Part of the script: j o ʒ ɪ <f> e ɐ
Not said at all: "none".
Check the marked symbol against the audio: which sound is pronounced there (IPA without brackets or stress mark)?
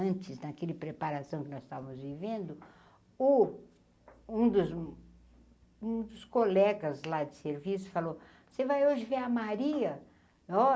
v